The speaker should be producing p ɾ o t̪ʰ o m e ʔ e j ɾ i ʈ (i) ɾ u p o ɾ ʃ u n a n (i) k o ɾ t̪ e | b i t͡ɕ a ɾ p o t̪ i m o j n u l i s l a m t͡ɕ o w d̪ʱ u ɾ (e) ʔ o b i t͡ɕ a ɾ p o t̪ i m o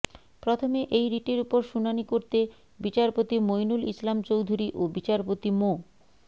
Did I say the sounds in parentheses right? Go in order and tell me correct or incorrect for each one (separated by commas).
incorrect, correct, incorrect